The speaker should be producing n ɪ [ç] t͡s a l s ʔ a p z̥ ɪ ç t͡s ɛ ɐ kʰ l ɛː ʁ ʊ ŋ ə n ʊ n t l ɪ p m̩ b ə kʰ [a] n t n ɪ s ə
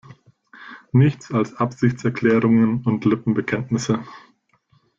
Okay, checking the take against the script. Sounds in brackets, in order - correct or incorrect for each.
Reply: correct, incorrect: ɛ

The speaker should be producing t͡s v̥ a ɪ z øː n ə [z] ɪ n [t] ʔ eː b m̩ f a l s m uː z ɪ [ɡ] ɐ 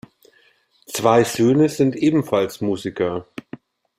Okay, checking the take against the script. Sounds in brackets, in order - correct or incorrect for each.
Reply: correct, correct, incorrect: k

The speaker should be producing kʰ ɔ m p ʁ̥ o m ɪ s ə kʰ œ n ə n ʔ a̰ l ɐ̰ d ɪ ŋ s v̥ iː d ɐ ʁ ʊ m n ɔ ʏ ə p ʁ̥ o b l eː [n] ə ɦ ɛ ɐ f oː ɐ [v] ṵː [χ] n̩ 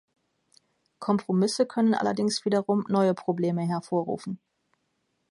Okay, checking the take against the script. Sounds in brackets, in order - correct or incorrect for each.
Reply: incorrect: m, incorrect: ʁ, incorrect: f

